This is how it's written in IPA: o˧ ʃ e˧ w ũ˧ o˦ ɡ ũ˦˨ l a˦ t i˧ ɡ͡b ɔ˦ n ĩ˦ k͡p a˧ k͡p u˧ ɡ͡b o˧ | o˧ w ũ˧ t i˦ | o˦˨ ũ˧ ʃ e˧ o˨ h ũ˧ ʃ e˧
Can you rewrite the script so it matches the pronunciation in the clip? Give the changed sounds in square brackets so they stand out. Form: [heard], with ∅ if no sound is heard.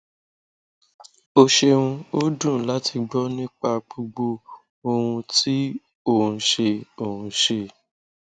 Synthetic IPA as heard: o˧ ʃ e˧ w ũ˧ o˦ [d] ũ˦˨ l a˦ t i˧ ɡ͡b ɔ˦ n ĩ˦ k͡p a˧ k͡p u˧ ɡ͡b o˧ | o˧ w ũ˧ t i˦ | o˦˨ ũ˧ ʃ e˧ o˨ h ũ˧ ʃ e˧